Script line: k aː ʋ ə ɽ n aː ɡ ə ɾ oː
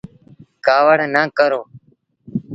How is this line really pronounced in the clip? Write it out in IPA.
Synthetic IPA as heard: k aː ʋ ə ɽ n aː k ə ɾ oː